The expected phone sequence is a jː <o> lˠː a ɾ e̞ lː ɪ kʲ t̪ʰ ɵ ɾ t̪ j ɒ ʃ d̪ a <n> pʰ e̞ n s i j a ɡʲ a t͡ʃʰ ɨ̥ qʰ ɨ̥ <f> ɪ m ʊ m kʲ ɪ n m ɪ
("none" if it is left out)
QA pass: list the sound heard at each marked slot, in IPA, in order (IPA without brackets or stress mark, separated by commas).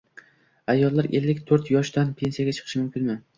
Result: ɒ, n, ʃ